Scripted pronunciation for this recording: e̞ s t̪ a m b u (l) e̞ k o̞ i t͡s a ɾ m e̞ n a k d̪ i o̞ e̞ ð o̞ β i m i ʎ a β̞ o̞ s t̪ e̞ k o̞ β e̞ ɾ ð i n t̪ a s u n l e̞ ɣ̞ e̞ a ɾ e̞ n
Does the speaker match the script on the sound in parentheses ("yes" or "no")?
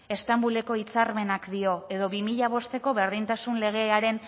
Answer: yes